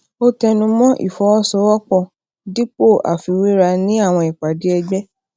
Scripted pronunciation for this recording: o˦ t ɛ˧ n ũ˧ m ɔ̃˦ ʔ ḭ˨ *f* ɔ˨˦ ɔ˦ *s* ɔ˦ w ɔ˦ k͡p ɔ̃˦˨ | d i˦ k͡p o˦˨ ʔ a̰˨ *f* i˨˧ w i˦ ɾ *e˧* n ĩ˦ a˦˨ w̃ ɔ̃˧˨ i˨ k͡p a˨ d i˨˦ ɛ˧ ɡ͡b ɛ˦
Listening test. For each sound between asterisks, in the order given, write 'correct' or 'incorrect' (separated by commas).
correct, correct, correct, incorrect